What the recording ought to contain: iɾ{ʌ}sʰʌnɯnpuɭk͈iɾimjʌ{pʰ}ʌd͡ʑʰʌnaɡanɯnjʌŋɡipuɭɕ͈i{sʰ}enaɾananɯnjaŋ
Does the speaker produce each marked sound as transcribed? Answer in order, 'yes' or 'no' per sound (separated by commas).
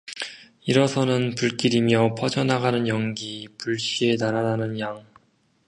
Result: yes, yes, no